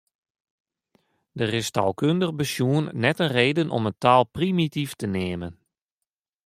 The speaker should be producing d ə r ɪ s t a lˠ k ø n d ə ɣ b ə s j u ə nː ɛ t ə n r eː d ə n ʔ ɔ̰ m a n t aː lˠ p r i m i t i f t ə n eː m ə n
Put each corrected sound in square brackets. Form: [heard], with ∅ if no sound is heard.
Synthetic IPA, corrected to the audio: d ə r ɪ s t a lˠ k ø n d ə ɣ b ə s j u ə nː ɛ t ə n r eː d ə n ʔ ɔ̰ m [ə] n t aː lˠ p r i m i t i f t ə n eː m ə n